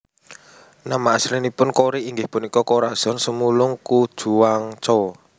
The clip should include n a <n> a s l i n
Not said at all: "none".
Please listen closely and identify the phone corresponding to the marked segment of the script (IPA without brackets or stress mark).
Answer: m